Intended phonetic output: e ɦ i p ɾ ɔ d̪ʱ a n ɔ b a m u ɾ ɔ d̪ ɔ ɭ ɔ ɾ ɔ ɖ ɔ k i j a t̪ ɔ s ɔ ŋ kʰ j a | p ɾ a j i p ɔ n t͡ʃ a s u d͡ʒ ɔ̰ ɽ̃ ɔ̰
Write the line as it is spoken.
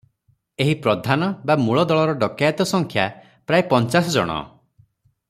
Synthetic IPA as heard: e ɦ i p ɾ ɔ d̪ʱ a n ɔ b a m u ɭ ɔ d̪ ɔ ɭ ɔ ɾ ɔ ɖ ɔ k a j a t̪ ɔ s ɔ ŋ kʰ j a | p ɾ a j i p ɔ n t͡ʃ a s ɔ d͡ʒ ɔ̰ ɽ̃ ɔ̰

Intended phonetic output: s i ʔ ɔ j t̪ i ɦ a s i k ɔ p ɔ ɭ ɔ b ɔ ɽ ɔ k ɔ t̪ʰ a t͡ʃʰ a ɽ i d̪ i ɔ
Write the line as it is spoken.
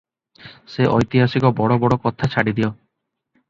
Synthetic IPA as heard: s e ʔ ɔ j t̪ i ɦ a s i k ɔ b ɔ ɽ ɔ b ɔ ɽ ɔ k ɔ t̪ʰ a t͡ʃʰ a ɽ i d̪ i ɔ

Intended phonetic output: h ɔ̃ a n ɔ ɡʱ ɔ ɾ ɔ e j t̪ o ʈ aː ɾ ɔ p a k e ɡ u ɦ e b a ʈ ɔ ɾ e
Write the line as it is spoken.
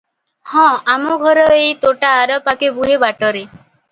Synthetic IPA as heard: h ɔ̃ a m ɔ ɡʱ ɔ ɾ ɔ e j t̪ o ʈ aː ɾ ɔ p a k e b u ɦ e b a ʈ ɔ ɾ e

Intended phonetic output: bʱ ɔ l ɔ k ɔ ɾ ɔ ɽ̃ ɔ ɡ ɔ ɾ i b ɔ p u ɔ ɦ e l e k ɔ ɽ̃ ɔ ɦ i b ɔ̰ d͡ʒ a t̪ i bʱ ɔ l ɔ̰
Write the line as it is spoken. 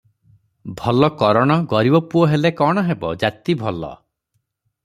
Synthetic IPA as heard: bʱ ɔ l ɔ k ɔ ɾ ɔ ɽ̃ ɔ ɡ ɔ ɾ i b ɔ p u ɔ ɦ e l e k ɔ ɽ̃ ɔ ɦ e b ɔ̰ d͡ʒ a t̪ i bʱ ɔ l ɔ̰

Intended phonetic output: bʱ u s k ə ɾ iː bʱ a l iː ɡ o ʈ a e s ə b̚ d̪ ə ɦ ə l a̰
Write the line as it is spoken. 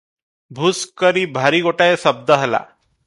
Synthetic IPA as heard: bʱ u s k ə ɾ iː bʱ a ɾ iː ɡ o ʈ a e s ə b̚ d̪ ə ɦ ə l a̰

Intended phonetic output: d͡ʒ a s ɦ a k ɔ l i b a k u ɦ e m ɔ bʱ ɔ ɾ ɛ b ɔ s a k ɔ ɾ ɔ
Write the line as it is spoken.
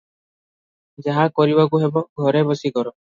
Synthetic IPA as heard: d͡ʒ a ɦ a k ɔ ɾ i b a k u ɦ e b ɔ ɡʱ ɔ ɾ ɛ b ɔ s i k ɔ ɾ ɔ

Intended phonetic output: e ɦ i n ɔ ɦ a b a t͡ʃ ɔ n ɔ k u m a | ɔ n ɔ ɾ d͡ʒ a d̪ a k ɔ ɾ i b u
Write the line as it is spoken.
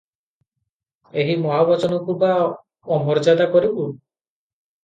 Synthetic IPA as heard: e ɦ i m ɔ ɦ a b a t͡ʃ ɔ n ɔ k u b a | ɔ m ɔ ɾ d͡ʒ a d̪ a k ɔ ɾ i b u

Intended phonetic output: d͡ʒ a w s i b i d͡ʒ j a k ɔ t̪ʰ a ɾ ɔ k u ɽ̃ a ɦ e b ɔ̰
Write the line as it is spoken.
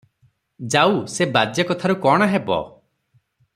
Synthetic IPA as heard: d͡ʒ a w s e b a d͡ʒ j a k ɔ t̪ʰ a ɾ u k ɔ ɽ̃ a ɦ e b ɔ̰

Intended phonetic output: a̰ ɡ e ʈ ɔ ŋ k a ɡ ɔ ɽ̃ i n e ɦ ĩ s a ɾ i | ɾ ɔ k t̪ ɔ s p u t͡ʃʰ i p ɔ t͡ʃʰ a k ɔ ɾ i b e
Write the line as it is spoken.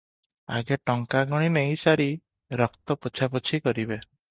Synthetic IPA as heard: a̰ ɡ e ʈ ɔ ŋ k a ɡ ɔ ɽ̃ i n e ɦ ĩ s a ɾ i | ɾ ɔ k t̪ ɔ p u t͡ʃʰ a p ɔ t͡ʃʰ i k ɔ ɾ i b e

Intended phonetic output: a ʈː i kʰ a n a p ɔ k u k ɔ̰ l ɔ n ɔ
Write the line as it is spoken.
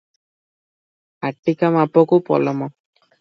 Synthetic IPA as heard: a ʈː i k a m a p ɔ k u p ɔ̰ l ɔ m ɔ

